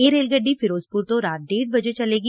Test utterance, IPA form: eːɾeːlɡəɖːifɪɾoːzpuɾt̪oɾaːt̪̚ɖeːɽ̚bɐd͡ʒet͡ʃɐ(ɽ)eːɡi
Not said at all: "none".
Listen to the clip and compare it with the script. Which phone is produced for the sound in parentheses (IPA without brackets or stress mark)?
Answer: l